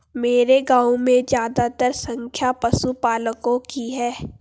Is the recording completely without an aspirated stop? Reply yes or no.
no